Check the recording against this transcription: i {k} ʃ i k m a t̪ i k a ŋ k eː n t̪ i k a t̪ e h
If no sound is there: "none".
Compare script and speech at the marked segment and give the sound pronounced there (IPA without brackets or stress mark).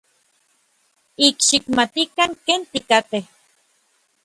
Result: k